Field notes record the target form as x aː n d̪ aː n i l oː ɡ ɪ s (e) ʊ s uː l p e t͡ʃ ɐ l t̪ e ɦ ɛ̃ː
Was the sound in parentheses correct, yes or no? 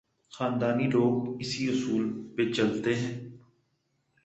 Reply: no